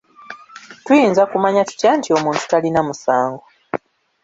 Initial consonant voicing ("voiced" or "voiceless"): voiceless